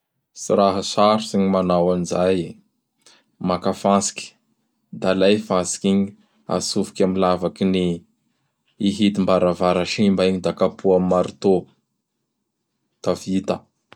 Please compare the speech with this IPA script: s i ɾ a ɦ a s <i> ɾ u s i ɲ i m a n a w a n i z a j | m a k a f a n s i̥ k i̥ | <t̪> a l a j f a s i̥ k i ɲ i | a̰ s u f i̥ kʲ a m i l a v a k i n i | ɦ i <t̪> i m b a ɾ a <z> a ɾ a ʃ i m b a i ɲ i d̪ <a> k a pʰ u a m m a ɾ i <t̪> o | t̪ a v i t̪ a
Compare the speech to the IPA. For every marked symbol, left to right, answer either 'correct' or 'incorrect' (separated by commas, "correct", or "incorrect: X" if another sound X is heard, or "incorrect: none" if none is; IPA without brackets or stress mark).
incorrect: a, incorrect: d̪, correct, incorrect: v, correct, correct